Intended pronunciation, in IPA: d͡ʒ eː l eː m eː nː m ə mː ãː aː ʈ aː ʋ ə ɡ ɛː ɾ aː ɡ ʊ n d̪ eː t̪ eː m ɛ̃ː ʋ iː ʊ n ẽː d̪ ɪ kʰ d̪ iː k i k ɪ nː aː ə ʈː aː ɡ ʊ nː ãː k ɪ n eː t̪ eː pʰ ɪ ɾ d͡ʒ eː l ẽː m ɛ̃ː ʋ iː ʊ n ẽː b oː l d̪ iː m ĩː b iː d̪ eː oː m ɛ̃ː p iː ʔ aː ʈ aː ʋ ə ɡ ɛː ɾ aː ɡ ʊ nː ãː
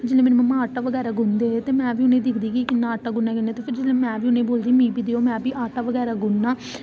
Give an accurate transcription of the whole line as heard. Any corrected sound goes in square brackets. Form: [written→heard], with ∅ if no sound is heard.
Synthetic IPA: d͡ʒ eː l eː m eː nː m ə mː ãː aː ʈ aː ʋ ə ɡ ɛː ɾ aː ɡ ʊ n d̪ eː t̪ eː m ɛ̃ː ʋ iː ʊ n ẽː d̪ ɪ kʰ d̪ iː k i k ɪ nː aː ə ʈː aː ɡ ʊ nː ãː k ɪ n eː t̪ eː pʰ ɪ ɾ d͡ʒ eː l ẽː m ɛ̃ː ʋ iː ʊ n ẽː b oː l d̪ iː m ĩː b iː d̪ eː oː m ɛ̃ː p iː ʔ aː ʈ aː ʋ ə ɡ ɛː ɾ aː ɡ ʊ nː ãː